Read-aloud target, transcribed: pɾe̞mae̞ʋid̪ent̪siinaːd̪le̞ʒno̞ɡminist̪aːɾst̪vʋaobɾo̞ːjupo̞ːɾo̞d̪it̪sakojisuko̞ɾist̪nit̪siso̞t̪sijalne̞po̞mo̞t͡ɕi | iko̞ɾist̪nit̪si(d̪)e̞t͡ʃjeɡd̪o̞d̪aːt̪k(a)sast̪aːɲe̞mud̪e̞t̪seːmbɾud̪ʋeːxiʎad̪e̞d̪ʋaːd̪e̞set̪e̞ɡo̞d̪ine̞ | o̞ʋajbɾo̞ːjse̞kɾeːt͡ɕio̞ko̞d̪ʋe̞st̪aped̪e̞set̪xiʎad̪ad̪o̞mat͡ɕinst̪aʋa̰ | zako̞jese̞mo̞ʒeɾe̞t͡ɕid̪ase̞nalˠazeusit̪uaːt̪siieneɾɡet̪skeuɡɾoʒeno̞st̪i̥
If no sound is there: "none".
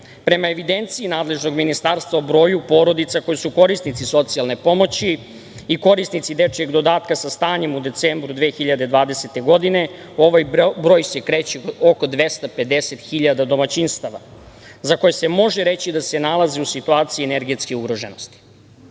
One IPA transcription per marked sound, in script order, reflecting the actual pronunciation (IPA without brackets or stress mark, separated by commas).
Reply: d̪, a